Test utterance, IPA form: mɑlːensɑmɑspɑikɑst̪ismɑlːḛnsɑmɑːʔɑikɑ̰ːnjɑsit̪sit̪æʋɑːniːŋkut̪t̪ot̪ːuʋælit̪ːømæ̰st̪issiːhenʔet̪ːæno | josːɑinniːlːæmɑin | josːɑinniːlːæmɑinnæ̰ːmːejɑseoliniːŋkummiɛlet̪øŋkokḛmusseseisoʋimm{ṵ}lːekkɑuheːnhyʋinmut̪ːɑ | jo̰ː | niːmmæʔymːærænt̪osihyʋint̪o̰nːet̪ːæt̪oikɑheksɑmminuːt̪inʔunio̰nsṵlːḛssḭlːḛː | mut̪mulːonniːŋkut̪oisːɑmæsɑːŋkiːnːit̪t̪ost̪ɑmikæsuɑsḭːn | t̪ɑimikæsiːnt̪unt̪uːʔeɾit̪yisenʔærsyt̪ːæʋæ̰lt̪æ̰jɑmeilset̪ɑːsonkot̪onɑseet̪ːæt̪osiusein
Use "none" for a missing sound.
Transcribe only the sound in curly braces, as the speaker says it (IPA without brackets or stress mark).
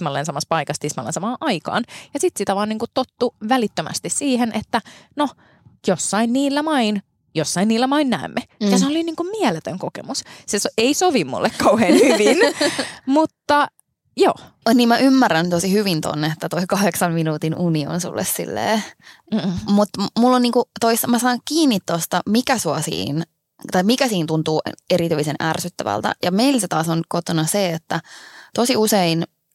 ṵ